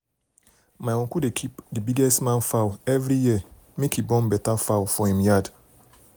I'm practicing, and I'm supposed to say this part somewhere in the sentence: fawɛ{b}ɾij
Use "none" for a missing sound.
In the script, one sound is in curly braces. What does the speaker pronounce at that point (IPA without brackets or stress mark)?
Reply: v